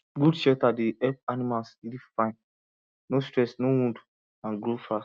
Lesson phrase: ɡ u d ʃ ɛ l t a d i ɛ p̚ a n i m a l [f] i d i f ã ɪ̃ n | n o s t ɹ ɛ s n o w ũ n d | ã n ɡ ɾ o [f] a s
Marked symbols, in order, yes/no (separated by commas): no, yes